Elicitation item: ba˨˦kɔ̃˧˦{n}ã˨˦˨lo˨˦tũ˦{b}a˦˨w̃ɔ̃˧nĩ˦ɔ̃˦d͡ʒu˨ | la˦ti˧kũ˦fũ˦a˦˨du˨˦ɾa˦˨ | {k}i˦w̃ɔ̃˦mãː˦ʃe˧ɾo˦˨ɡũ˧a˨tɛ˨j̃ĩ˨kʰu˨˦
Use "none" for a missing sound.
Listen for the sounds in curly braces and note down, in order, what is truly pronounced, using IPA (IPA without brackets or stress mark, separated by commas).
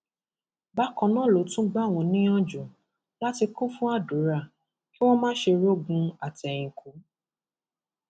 n, ɡ͡b, k